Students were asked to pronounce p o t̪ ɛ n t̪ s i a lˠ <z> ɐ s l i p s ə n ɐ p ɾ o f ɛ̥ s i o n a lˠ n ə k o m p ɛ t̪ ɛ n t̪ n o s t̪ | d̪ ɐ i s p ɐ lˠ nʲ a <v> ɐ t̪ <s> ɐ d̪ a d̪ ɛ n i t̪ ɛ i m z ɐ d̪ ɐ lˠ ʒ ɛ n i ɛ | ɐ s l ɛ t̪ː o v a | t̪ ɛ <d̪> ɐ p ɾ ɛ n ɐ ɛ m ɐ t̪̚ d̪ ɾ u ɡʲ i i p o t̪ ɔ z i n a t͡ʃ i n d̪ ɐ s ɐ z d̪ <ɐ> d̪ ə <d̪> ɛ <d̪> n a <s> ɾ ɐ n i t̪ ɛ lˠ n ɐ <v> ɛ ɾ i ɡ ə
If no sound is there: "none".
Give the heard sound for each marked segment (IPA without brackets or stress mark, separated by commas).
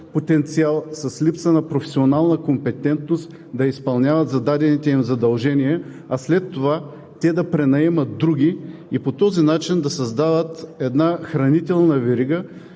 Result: s, v, z, d̪, a, t̪, d̪, x, v